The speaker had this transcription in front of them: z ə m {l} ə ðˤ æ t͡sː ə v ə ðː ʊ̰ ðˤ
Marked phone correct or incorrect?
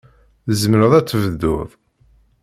incorrect